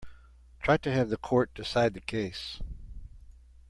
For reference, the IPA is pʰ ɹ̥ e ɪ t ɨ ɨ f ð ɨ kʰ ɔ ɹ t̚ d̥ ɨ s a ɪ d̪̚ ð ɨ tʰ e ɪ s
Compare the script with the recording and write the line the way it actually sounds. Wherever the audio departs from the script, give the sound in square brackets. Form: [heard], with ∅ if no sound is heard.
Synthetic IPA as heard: [tʰ] ɹ̥ [a] ɪ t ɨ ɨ [v] ð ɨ kʰ ɔ ɹ t̚ d̥ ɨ s a ɪ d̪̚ ð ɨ [kʰ] e ɪ s

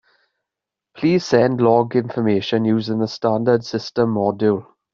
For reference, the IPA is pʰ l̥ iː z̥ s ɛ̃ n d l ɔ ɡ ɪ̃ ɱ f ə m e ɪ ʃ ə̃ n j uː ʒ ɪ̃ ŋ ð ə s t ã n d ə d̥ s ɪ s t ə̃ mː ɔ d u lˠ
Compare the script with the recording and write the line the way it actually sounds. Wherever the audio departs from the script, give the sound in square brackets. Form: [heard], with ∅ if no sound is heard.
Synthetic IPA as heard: pʰ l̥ iː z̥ s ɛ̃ n d l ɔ ɡ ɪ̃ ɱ f ə m e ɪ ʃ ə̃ n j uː [z] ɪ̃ ŋ ð ə s t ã n d ə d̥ s ɪ s t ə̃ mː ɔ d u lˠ

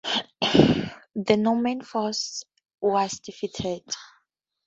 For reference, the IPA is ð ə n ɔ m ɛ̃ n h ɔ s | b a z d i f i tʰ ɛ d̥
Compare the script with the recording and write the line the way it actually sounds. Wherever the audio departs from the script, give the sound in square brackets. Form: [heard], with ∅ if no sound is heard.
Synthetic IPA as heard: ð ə n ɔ m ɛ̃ n [f] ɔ s | [w] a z d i f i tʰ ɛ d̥

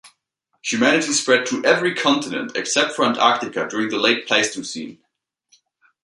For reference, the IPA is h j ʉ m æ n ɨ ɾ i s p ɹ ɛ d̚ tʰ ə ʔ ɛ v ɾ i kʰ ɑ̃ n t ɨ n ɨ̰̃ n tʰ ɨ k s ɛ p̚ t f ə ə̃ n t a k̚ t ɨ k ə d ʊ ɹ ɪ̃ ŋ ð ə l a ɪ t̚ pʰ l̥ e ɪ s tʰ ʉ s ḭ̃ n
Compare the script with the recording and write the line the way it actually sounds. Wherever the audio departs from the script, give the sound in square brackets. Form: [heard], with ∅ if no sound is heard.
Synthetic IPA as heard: h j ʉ m æ n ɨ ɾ i s p ɹ ɛ d̚ tʰ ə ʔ ɛ v [ɹ] i kʰ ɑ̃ n t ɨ n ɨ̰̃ n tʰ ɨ k s ɛ p̚ t f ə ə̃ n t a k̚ t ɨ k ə d ʊ ɹ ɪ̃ ŋ ð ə l [e] ɪ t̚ pʰ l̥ e ɪ s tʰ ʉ s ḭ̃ n

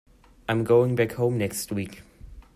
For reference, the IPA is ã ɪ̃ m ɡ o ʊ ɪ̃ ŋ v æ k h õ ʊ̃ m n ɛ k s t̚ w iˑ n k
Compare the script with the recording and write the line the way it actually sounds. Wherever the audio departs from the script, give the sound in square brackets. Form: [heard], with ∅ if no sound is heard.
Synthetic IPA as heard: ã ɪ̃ m ɡ o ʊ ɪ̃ ŋ [b] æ k h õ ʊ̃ m n ɛ k s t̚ w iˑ [∅] k

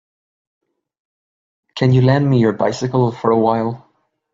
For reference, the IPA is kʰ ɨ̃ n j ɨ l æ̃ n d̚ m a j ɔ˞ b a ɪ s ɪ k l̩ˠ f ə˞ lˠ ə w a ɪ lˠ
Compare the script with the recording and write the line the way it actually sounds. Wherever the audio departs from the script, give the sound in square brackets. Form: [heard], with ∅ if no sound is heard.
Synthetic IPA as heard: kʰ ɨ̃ n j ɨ l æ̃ n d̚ m [i] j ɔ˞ b a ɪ s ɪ k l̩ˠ f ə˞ [∅] ə w a ɪ lˠ

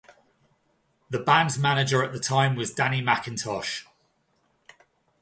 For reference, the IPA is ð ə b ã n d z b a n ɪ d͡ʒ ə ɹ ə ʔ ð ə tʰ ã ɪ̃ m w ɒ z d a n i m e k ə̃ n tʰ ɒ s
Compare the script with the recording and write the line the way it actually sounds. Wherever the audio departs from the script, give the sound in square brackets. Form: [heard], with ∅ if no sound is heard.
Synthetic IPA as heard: ð ə b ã n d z [m] a n ɪ d͡ʒ ə ɹ ə ʔ ð ə tʰ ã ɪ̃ m w ɒ z d a n i m [a] k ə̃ n tʰ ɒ [ʃ]

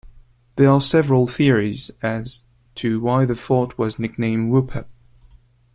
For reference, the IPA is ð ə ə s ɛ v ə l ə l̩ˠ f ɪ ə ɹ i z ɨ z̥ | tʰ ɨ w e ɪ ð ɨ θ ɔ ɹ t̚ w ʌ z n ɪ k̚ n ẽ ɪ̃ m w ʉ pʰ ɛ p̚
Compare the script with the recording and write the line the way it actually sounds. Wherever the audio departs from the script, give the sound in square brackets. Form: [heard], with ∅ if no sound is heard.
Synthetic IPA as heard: ð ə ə s ɛ v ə [ɹ] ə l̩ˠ [θ] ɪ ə ɹ i z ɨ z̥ | tʰ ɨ w [a] ɪ ð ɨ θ ɔ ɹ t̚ w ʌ z n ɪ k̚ n ẽ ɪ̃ m w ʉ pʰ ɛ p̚

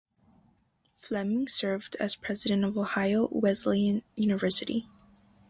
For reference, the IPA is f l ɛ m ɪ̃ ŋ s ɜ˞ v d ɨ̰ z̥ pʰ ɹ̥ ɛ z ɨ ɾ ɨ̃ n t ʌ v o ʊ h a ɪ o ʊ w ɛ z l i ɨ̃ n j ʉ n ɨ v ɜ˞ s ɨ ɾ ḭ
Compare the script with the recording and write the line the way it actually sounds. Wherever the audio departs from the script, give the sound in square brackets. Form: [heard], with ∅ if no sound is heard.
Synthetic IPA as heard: f l ɛ m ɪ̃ ŋ s ɜ˞ v d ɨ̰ z̥ pʰ ɹ̥ ɛ z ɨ ɾ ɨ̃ n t ʌ v o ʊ h a ɪ o ʊ w ɛ z l i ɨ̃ n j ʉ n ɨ v ɜ˞ s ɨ ɾ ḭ

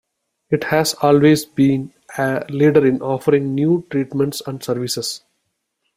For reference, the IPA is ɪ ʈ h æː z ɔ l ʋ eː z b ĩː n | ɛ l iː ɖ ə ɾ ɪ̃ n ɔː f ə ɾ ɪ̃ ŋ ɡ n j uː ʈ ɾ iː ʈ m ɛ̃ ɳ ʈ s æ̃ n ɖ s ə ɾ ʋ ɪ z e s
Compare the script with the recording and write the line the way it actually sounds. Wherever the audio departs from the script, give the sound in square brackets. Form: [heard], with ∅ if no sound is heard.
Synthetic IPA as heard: ɪ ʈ h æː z [ɔː] l ʋ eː z b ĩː n | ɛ l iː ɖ ə ɾ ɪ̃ n ɔː f ə ɾ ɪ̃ ŋ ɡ n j uː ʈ ɾ iː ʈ m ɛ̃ ɳ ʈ s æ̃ [ɳ] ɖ s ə ɾ ʋ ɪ [s] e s

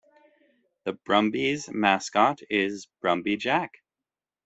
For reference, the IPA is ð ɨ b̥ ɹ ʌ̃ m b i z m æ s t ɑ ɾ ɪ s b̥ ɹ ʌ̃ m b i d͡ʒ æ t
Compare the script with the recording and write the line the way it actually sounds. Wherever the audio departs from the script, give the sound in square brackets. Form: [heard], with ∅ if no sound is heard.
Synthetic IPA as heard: ð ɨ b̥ ɹ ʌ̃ m b i z m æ s [k] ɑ ɾ ɪ [z] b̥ ɹ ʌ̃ m b i d͡ʒ æ [k]

